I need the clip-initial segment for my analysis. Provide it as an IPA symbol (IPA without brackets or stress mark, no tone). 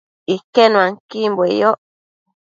i